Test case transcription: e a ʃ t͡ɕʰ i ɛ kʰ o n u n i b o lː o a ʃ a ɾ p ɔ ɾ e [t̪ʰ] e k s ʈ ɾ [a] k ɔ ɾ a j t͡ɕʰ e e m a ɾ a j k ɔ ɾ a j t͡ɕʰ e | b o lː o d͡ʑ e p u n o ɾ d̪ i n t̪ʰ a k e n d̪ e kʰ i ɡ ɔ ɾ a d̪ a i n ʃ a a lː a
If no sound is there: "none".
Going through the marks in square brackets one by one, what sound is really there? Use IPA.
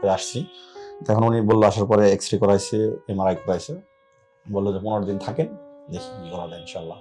none, i

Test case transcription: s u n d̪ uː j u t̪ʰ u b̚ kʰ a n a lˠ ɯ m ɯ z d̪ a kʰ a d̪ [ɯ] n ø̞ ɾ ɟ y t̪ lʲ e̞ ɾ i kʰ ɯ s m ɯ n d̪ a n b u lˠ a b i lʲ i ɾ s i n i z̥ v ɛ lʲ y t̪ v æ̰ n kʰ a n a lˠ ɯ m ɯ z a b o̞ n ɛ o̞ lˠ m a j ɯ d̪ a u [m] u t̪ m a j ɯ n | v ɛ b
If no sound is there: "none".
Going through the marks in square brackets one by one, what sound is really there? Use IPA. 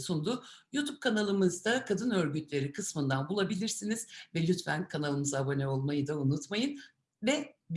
ɯ, n

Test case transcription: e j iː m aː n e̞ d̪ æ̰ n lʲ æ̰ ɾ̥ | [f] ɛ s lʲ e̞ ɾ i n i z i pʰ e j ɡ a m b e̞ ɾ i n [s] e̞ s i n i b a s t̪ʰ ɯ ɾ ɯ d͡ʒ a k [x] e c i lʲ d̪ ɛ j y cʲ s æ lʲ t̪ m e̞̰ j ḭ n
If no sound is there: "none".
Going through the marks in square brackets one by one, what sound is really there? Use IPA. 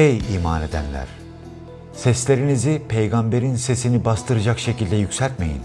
s, s, ʃ

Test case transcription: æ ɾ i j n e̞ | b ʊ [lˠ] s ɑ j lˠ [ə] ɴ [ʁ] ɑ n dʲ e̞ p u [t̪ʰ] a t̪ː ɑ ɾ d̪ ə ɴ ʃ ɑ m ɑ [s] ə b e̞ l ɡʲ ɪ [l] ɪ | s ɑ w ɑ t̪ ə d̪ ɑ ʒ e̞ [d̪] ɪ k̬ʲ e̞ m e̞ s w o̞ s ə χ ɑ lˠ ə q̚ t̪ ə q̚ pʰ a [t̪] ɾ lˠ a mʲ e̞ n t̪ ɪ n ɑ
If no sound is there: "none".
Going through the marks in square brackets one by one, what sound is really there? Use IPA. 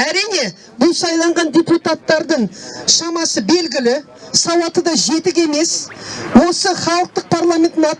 lˠ, ɑ, ʁ, t̪, s, l, t̪, none

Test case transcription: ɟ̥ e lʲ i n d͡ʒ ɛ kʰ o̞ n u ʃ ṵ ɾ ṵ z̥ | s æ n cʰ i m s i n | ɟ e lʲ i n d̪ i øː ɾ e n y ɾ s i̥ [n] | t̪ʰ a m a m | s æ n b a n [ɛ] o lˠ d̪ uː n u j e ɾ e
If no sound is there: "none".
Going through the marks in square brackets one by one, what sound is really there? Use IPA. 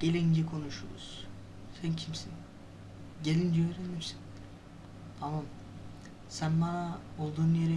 n, a

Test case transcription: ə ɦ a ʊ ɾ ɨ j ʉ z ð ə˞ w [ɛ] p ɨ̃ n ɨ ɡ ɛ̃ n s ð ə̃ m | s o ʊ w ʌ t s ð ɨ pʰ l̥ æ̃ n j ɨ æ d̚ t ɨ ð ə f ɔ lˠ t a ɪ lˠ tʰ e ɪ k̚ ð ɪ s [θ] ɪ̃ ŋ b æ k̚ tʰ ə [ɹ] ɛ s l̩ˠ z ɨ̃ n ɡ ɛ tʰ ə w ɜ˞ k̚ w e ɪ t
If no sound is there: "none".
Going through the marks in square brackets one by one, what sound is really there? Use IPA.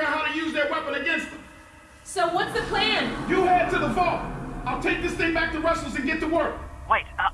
ɛ, θ, ɹ

